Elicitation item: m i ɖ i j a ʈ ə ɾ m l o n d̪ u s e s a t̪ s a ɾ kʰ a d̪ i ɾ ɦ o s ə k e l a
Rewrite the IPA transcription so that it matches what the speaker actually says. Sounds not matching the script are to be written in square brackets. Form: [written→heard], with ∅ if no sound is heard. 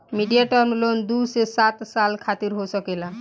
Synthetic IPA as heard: m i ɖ i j a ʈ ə ɾ m l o n d̪ u s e s a t̪ s a [ɾ→l] kʰ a [d̪→t̪] i ɾ ɦ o s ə k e l a